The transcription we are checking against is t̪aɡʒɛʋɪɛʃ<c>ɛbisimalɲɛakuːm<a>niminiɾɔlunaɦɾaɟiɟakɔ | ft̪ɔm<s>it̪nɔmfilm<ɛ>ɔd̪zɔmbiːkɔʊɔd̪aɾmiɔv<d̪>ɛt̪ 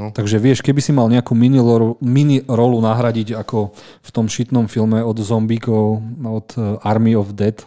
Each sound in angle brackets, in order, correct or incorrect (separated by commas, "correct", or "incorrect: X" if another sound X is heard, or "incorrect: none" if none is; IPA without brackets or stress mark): incorrect: k, incorrect: i, incorrect: ʃ, correct, correct